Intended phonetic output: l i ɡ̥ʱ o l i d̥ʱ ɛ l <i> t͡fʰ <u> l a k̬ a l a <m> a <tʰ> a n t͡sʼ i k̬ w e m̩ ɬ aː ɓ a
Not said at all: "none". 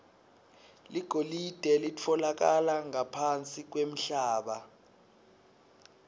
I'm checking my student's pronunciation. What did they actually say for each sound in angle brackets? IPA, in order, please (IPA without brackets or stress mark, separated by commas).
i, ɔ, ŋ, pʰ